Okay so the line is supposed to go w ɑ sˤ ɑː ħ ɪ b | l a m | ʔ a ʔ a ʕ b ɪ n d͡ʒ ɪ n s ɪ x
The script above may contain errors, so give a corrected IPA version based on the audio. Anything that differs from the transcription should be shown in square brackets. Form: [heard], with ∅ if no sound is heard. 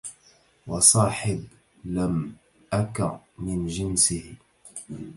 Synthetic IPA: w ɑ sˤ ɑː ħ ɪ b | l a m | ʔ a [k] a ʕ [m] ɪ n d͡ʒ ɪ n s ɪ [h]